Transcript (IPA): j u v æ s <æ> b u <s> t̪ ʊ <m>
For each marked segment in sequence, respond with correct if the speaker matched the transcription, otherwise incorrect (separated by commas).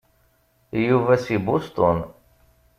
incorrect, correct, incorrect